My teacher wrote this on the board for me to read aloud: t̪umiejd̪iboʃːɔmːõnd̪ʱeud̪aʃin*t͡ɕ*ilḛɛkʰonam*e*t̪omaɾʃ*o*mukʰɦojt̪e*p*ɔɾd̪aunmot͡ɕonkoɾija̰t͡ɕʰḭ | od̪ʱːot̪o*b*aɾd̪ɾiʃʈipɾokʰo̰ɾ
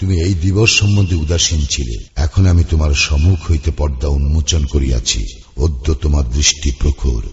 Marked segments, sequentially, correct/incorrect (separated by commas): incorrect, incorrect, incorrect, correct, incorrect